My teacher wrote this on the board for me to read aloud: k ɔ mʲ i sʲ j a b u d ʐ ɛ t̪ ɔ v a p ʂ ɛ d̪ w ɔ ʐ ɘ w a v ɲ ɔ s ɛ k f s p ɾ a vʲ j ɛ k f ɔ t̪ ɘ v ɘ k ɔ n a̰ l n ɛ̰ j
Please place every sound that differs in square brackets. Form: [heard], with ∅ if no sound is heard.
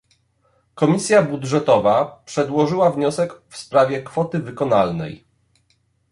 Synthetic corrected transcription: k ɔ mʲ i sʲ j a b u d ʐ ɛ t̪ ɔ v a p ʂ ɛ d̪ w ɔ ʐ ɘ w a v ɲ ɔ s ɛ k f s p ɾ a vʲ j ɛ k f ɔ t̪ ɘ v ɘ k ɔ n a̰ l n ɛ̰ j

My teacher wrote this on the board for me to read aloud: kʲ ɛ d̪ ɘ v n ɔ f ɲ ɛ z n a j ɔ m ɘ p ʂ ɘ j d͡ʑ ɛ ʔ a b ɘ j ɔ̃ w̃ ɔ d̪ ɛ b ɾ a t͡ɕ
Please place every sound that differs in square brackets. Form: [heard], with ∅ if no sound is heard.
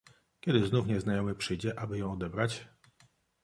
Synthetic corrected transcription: kʲ ɛ d̪ ɘ [z] n [u] f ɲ ɛ z n a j ɔ m ɘ p ʂ ɘ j d͡ʑ ɛ ʔ a b ɘ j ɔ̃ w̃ ɔ d̪ ɛ b ɾ a t͡ɕ

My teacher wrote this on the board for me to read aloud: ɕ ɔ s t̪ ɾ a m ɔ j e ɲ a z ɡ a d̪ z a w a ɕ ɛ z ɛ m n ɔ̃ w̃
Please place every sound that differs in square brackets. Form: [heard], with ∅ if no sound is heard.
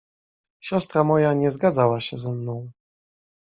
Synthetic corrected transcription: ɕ ɔ s t̪ ɾ a m ɔ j [a] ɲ [ɛ] z ɡ a d̪ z a w a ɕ ɛ z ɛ m n ɔ̃ w̃

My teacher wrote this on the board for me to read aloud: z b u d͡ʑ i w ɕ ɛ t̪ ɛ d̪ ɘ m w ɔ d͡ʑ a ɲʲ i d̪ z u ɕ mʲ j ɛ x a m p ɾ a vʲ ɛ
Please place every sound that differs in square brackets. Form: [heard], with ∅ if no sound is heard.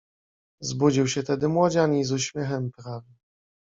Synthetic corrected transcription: z b u d͡ʑ i w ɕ ɛ t̪ ɛ d̪ ɘ m w ɔ d͡ʑ a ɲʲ i [∅] z u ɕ mʲ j ɛ x [ɛ] m p ɾ a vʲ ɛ

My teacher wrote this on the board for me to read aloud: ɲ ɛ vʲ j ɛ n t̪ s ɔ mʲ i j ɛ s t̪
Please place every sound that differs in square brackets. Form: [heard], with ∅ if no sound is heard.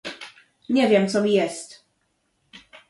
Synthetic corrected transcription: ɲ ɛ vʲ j ɛ [m] t̪ s ɔ mʲ i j ɛ s t̪

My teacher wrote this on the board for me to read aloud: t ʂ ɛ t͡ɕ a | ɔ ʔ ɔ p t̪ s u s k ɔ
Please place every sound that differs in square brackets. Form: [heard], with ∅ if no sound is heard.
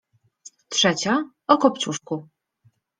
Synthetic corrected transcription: t ʂ ɛ t͡ɕ a | ɔ [k] ɔ p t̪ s u [ʂ] k [u]

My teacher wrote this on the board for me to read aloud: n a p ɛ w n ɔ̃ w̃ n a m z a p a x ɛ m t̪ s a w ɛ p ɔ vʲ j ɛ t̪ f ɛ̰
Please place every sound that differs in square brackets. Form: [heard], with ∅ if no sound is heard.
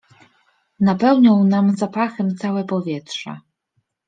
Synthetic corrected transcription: n a p ɛ w [ɲ] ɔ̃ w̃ n a m z a p a x ɛ m t̪ s a w ɛ p ɔ vʲ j ɛ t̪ [ʂ] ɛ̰

